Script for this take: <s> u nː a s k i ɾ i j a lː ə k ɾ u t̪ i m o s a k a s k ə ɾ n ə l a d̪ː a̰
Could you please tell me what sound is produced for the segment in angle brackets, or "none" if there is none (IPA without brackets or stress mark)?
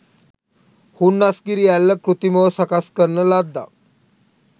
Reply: h